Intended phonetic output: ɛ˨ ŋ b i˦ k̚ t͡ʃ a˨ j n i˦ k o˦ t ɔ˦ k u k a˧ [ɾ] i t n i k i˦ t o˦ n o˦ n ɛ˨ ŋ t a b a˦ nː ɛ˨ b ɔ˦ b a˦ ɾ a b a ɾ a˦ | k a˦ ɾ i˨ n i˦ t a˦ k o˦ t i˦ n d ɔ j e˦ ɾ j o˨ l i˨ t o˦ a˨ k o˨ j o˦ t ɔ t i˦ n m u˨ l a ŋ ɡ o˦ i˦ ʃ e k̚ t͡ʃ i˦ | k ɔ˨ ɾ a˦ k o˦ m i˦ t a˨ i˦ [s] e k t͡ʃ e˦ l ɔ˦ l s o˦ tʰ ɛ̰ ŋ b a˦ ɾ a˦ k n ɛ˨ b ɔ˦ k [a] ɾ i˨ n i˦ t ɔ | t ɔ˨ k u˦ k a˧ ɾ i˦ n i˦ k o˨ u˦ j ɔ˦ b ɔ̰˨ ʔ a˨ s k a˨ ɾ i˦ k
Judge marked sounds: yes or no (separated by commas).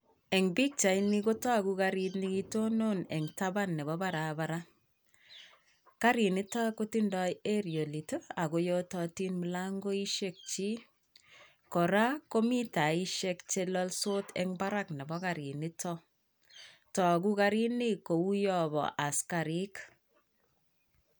yes, no, yes